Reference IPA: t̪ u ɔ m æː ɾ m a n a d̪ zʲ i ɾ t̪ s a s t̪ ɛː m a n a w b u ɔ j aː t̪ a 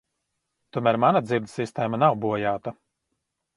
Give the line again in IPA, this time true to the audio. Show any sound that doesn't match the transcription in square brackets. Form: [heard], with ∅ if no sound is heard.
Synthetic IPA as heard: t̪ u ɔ m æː ɾ m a n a d̪ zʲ i ɾ [d̪] s [i] s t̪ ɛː m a n a w b u ɔ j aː t̪ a